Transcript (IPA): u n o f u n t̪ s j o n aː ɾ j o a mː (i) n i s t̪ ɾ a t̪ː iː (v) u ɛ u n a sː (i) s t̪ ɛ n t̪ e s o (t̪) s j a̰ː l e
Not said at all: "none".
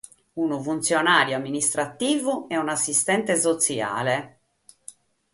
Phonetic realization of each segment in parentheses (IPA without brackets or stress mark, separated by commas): i, v, i, t̪